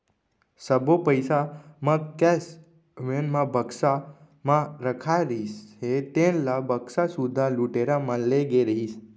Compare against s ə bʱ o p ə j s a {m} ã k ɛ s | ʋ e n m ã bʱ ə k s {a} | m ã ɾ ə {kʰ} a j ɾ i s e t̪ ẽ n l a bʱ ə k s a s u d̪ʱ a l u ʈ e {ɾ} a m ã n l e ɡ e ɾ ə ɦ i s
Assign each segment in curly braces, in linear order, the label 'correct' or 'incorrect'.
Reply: correct, correct, correct, correct

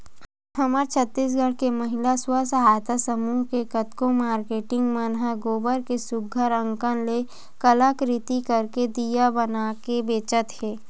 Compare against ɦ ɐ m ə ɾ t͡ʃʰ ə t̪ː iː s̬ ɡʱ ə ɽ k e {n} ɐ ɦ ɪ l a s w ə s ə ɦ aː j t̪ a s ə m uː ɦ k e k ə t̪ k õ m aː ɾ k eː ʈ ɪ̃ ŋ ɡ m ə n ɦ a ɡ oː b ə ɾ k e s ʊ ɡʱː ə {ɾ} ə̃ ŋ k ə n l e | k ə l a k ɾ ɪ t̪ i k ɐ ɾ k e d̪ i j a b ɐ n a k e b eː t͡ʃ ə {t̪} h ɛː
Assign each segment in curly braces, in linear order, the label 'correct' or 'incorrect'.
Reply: incorrect: m, correct, correct

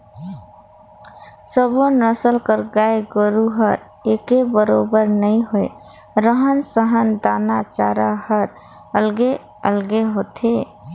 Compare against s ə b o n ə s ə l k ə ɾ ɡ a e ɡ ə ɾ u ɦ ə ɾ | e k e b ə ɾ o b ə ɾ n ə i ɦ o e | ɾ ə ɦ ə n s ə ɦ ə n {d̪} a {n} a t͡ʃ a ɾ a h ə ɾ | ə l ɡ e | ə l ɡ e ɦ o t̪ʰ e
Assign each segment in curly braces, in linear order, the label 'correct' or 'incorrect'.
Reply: correct, correct

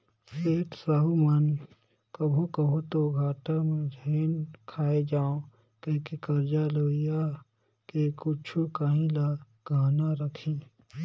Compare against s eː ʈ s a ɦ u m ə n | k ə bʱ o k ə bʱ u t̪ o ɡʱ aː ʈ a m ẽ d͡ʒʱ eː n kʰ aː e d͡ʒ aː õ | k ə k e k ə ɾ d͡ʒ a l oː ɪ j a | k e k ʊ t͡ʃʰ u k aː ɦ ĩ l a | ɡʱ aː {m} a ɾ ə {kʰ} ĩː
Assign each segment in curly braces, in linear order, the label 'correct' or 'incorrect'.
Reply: incorrect: n, correct

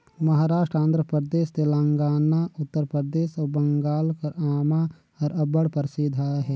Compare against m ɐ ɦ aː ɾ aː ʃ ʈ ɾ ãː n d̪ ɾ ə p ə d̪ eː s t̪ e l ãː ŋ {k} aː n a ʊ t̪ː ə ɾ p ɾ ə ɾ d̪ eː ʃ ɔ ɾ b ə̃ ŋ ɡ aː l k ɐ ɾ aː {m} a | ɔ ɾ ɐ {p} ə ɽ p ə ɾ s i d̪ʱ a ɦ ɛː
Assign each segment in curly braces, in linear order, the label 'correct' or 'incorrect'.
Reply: incorrect: ɡ, correct, incorrect: b

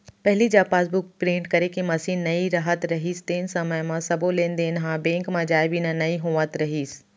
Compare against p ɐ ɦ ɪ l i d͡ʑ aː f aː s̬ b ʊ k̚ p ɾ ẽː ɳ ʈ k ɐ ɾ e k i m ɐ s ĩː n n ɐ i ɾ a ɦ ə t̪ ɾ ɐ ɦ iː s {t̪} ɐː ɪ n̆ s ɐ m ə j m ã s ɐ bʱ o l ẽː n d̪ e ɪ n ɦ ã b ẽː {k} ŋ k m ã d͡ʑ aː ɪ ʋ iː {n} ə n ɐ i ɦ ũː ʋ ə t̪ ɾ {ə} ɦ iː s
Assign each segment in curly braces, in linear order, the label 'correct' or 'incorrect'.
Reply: correct, incorrect: none, correct, incorrect: ɐ

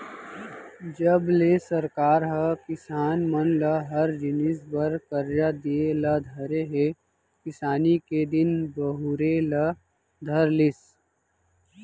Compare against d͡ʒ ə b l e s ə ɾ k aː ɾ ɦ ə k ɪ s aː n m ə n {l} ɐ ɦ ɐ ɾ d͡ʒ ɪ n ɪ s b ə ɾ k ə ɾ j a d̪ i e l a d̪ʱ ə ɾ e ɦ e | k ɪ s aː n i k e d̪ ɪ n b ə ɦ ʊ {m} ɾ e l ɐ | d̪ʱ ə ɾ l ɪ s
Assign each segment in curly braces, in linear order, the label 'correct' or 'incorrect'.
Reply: correct, incorrect: none

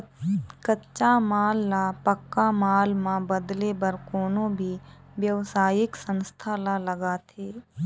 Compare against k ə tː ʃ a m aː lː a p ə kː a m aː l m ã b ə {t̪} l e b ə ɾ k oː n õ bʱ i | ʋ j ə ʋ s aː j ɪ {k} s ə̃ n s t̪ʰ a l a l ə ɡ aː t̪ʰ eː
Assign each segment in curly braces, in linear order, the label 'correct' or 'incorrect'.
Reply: incorrect: d̪, correct

